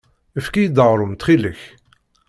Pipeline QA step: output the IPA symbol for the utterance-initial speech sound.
ə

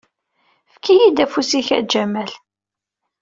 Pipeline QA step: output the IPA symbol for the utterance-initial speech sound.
f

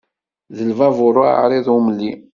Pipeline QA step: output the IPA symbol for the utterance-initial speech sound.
ð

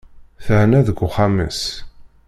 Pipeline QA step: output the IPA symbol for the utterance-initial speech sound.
θ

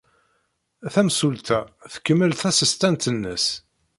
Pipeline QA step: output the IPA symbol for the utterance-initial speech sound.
θ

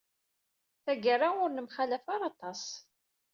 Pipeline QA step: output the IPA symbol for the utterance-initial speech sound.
θ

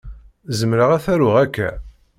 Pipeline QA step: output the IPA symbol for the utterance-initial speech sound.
z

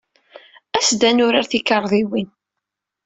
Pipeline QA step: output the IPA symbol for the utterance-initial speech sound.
æ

